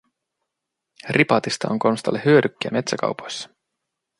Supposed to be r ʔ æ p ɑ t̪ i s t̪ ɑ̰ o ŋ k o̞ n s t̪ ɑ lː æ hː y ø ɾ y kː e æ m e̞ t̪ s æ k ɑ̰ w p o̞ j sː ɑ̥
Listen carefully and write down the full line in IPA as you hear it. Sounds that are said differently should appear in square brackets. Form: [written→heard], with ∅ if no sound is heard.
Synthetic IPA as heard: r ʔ [æ→i] p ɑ t̪ i s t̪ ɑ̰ o ŋ k o̞ n s t̪ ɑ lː [æ→e] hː y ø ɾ y kː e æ m e̞ t̪ s æ k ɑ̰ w p o̞ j sː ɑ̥